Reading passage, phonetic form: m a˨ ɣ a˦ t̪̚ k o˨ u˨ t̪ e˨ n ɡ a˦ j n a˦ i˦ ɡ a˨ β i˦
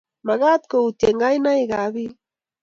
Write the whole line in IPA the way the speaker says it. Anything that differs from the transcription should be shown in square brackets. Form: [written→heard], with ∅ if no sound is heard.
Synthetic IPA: m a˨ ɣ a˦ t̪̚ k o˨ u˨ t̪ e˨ [n→ŋ] ɡ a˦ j n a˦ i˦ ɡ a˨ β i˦